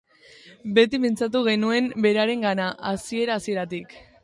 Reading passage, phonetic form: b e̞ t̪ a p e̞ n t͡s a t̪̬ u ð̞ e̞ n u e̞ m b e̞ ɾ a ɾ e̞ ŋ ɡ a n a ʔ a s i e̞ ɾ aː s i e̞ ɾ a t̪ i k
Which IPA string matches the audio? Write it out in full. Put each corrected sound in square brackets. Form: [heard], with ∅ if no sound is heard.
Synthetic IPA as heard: b e̞ t̪ [i] p e̞ n t͡s a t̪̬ u [ɣ̞] e̞ n u e̞ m b e̞ ɾ a ɾ e̞ ŋ ɡ a n a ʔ a s i e̞ ɾ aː s i e̞ ɾ a t̪ i k